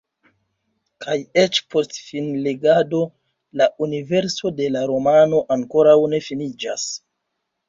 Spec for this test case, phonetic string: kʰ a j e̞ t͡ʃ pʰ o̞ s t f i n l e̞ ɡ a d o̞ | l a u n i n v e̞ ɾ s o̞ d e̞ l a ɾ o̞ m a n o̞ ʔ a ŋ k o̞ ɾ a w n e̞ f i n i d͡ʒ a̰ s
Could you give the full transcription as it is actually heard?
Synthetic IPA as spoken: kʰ a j e̞ t͡ʃ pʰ o̞ s t f i n l e̞ ɡ a d o̞ | l a u n i v e̞ ɾ s o̞ d e̞ l a ɾ o̞ m a n o̞ ʔ a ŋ k o̞ ɾ a w n e̞ f i n i d͡ʒ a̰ s